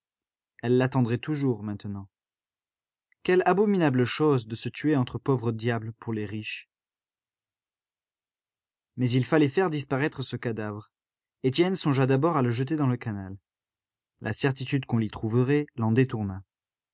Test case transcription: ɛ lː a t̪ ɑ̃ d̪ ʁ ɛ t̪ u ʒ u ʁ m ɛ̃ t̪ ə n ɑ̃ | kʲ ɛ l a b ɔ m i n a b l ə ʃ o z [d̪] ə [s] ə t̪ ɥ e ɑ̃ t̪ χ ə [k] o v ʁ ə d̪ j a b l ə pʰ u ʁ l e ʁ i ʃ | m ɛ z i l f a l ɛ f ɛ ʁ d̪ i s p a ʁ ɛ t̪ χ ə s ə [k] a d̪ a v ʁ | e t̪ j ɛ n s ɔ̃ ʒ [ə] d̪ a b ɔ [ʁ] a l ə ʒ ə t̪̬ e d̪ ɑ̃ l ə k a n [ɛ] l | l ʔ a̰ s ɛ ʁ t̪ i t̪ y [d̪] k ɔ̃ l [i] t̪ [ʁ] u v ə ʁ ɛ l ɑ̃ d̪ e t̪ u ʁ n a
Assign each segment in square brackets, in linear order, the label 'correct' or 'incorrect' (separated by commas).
correct, correct, incorrect, correct, incorrect, correct, incorrect, correct, correct, incorrect